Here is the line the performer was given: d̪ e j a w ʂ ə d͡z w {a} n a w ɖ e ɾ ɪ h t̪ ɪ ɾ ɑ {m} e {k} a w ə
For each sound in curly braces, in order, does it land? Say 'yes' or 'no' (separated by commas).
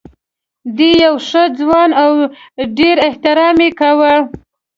no, yes, yes